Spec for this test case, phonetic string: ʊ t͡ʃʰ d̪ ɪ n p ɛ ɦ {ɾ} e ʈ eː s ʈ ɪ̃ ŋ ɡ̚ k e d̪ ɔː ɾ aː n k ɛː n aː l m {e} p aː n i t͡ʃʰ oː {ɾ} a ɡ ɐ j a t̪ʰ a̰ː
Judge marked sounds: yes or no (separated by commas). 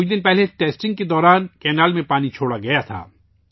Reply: no, no, no